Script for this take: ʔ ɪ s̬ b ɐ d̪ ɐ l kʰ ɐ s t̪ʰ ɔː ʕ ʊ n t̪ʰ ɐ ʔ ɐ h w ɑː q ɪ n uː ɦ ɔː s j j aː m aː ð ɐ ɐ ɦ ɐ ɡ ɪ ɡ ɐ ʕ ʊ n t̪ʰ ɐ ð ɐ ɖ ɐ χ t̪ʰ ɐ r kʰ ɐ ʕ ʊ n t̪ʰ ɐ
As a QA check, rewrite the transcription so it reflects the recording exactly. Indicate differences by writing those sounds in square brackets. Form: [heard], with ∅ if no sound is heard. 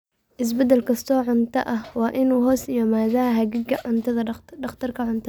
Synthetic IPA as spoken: ʔ ɪ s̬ b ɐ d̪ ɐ l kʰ ɐ s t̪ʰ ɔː ʕ ʊ n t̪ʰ ɐ ʔ ɐ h w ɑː [ʔ] ɪ n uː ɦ ɔː s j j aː m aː ð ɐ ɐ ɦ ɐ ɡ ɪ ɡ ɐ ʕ ʊ n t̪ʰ ɐ ð ɐ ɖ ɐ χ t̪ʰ ɐ r kʰ ɐ ʕ ʊ n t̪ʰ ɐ